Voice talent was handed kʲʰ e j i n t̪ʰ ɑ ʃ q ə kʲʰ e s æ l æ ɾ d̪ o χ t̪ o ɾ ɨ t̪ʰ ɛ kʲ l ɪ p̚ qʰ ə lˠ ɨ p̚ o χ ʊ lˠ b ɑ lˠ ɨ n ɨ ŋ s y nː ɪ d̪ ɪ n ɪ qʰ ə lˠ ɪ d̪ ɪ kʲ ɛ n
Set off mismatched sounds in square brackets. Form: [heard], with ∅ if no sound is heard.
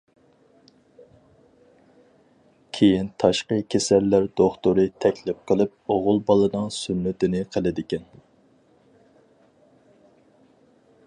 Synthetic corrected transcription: kʲʰ e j i n t̪ʰ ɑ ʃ q ə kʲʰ e s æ [lː] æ ɾ d̪ o χ t̪ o ɾ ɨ t̪ʰ ɛ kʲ l ɪ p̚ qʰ ə lˠ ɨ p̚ o [ʁ] ʊ lˠ b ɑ lˠ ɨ n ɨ ŋ s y nː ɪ [t̪] ɪ n ɪ qʰ ə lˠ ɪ d̪ ɪ kʲ ɛ n